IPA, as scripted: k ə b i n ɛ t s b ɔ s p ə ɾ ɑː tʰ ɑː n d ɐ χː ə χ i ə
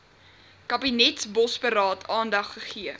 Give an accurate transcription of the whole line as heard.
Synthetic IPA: k ɐ b i n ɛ t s b ɔ s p ə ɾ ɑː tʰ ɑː n d ɐ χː ə χ i ə